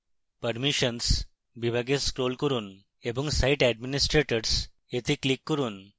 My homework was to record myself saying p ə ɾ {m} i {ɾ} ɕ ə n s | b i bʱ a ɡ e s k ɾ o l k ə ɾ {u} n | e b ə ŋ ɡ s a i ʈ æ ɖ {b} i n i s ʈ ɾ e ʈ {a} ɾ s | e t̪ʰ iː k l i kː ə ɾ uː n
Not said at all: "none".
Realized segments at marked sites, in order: m, none, uː, m, ə

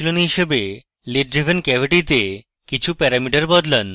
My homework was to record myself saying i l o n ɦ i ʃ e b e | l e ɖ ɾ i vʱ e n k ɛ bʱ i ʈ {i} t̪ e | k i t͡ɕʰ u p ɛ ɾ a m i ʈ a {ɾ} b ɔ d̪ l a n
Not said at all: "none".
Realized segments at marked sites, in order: i, ɾ

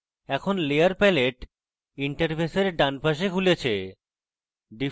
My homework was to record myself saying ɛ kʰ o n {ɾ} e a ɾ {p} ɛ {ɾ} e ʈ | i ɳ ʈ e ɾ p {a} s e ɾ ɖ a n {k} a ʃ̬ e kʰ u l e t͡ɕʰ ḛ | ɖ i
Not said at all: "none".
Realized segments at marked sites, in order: l, p, l, e, p

